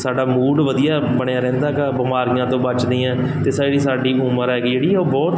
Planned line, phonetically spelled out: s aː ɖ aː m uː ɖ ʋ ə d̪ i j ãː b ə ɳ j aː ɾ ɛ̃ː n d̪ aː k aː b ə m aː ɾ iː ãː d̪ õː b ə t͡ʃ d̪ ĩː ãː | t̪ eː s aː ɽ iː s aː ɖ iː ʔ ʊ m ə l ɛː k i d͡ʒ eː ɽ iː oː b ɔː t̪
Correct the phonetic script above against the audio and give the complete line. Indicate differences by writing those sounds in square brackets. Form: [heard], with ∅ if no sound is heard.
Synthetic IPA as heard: s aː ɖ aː m uː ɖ ʋ ə d̪ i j [aː] b ə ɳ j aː ɾ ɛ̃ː n d̪ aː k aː b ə m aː ɾ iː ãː [t̪] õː b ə t͡ʃ d̪ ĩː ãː | t̪ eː s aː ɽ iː s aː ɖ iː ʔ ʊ m ə [ɾ] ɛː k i d͡ʒ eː ɽ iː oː b ɔː t̪